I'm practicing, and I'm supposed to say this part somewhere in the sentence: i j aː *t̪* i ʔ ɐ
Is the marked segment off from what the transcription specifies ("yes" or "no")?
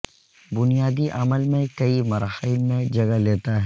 yes